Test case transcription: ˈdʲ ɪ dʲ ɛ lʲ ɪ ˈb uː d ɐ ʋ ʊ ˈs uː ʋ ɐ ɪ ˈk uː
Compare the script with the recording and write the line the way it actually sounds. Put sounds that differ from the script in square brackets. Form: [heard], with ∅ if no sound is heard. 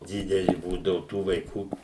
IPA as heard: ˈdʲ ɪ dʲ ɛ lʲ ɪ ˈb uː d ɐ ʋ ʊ [ˈt] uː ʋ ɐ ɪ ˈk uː